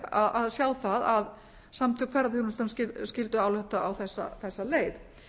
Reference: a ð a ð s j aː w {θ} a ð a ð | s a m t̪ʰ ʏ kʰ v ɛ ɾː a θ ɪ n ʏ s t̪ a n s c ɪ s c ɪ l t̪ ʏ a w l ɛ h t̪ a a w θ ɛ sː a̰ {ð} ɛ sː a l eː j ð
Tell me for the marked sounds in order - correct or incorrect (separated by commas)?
correct, incorrect